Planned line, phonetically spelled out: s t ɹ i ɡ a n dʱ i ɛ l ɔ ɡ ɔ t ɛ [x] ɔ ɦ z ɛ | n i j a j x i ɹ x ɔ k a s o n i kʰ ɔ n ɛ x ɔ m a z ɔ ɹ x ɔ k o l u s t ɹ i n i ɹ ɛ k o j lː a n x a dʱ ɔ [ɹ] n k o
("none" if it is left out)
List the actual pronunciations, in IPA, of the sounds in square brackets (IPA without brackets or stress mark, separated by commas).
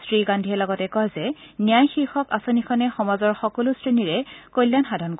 k, none